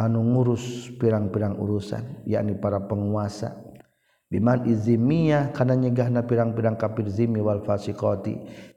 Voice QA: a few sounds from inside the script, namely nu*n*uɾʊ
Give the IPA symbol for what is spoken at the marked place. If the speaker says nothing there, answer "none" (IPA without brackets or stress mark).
ŋ